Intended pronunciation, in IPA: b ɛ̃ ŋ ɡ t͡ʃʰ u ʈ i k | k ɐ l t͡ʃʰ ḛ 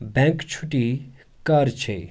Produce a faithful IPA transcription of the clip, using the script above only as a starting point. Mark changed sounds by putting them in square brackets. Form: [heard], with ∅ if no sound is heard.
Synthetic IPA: b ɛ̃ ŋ [k] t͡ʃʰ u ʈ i [∅] | k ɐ [ɾ] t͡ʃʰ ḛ